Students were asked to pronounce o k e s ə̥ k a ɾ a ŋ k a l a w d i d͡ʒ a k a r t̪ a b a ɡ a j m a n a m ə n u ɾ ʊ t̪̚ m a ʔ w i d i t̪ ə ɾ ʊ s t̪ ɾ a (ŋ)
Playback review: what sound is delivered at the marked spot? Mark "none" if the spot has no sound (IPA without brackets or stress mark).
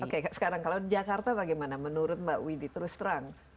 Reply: ŋ